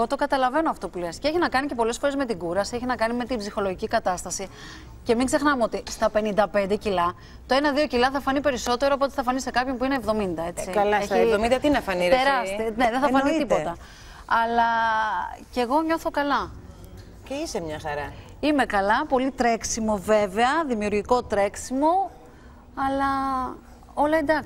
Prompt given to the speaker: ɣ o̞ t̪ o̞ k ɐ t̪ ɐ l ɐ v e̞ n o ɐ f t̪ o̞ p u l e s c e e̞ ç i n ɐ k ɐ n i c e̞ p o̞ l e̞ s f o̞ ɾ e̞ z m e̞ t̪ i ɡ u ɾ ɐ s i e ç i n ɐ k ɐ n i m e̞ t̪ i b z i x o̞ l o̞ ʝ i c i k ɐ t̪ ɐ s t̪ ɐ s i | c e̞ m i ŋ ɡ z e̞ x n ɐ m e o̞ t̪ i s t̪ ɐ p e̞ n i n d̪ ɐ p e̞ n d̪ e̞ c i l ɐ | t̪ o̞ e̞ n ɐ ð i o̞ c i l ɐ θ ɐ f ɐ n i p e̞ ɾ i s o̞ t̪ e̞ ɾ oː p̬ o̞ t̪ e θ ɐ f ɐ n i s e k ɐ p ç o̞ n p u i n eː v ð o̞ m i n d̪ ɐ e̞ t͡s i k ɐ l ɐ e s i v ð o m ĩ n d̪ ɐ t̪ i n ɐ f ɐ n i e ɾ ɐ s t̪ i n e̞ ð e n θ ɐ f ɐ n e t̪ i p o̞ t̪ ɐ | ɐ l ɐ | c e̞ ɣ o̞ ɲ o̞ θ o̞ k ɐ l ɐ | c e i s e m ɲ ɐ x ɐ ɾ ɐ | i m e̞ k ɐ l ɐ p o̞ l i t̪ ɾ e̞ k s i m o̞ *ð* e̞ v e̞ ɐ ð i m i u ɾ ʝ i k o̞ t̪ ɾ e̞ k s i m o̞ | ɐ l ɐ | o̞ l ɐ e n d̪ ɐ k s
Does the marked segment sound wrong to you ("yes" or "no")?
yes